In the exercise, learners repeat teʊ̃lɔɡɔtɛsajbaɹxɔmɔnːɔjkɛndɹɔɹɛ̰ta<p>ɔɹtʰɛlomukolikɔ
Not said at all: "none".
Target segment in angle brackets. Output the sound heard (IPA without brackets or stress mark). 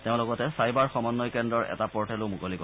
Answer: p